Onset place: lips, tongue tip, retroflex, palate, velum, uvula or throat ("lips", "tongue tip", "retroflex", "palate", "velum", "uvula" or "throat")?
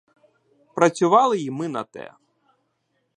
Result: lips